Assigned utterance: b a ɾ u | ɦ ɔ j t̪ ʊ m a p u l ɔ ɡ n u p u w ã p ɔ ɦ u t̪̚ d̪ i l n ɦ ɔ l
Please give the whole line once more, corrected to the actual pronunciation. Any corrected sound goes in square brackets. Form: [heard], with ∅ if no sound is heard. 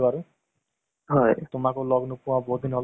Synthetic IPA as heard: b a ɾ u | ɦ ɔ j t̪ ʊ m a [k] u l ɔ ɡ n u p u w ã [b] ɔ ɦ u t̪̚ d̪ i [∅] n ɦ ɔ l